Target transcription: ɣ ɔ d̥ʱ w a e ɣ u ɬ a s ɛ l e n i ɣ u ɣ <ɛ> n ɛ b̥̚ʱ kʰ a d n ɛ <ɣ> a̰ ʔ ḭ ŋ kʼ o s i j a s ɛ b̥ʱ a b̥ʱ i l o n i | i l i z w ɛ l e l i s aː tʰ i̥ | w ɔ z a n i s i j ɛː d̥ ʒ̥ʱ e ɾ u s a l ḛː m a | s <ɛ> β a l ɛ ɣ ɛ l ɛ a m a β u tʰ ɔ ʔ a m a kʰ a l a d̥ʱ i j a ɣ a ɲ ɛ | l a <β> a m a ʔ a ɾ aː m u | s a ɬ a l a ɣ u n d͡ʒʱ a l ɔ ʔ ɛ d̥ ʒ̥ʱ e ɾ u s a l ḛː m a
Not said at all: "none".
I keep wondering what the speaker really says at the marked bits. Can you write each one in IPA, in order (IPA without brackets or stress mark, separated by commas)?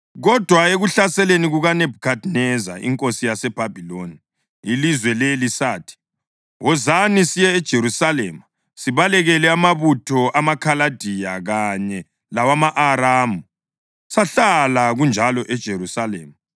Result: a, z, i, w